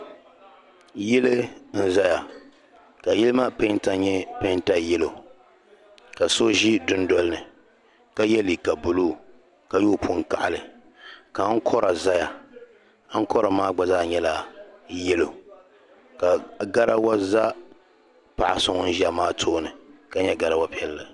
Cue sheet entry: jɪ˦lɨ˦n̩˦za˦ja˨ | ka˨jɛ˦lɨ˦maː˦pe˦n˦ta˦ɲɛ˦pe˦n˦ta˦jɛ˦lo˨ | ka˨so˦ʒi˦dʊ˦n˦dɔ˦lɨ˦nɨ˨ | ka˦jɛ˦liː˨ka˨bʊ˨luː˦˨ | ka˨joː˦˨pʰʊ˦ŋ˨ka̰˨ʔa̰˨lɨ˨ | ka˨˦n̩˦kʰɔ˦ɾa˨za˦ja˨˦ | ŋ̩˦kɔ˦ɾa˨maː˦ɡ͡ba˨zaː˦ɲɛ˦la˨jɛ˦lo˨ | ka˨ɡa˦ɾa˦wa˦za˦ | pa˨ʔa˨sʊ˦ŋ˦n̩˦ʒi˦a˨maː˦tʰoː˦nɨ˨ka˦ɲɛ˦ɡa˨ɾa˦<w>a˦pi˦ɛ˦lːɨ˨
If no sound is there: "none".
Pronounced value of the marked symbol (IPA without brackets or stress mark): w